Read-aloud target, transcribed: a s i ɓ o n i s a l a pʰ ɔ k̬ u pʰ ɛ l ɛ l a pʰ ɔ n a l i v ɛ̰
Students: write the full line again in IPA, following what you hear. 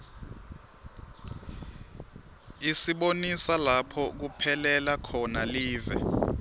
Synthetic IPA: i s i ɓ o n i s a l a pʰ ɔ k̬ u pʰ ɛ l ɛ l a kʰ ɔ n a l iː v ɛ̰